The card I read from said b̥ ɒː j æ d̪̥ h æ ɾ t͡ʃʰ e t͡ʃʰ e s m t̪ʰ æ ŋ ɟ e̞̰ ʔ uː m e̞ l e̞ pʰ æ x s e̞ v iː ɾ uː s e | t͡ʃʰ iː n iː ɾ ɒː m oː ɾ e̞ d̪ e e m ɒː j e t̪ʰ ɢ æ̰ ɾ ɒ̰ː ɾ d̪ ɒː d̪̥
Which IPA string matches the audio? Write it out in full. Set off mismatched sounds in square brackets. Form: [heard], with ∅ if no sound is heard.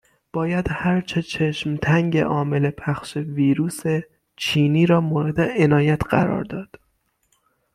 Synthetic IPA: b̥ ɒː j æ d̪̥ h æ ɾ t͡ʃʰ e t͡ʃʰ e [ʃ] m t̪ʰ æ ŋ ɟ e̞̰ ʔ [ɒː] m e̞ l e̞ pʰ æ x [ʃ] e̞ v iː ɾ uː s e | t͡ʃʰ iː n iː ɾ ɒː m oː ɾ e̞ d̪ e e [n] ɒː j [æ] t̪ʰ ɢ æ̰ ɾ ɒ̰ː ɾ d̪ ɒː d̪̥